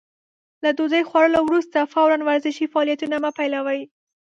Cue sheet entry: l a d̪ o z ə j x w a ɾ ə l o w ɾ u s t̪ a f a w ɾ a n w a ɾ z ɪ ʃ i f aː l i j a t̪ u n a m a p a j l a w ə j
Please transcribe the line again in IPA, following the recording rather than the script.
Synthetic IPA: l a d̪ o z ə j x w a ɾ ə l o w ɾ u s t̪ a f a w ɾ a n w a ɾ z ɪ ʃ i f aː l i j a t̪ u n a m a p a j l a w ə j